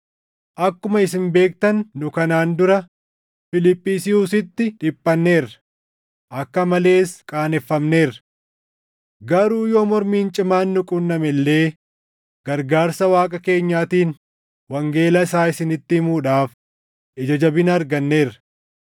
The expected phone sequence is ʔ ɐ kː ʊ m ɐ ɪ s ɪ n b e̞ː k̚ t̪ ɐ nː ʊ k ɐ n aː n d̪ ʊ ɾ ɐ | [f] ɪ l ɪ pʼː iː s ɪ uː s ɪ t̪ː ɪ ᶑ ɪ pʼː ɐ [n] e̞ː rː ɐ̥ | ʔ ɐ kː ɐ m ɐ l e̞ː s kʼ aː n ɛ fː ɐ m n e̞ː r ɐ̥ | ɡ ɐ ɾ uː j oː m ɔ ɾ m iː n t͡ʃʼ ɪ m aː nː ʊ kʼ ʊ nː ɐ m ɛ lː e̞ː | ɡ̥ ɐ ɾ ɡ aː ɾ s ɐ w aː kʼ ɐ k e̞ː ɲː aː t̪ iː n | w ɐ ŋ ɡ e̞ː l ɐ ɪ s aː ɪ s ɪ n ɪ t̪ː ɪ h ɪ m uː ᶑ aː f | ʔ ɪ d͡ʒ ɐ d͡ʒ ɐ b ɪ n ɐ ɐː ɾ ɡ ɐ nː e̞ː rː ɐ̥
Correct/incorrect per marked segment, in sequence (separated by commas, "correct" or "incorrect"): correct, incorrect